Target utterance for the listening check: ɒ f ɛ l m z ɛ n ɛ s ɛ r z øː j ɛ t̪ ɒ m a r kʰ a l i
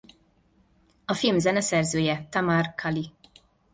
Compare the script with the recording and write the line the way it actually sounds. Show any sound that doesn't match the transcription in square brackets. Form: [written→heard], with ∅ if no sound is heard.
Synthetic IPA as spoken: ɒ f [ɛ→i] l m z ɛ n ɛ s ɛ r z øː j ɛ t̪ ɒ m a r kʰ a l i